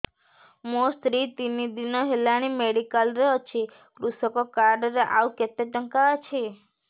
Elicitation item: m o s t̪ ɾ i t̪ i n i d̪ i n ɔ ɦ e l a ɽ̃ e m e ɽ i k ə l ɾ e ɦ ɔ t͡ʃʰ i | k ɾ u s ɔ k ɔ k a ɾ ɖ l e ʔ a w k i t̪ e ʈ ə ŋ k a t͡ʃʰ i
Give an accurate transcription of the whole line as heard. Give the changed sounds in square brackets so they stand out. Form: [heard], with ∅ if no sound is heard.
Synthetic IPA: m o s t̪ ɾ i t̪ i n i d̪ i n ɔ ɦ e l a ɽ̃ [i] m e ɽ i k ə l ɾ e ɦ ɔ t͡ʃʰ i | k ɾ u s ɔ k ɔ k a ɾ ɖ [ɾ] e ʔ a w k [e] t̪ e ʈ ə ŋ k a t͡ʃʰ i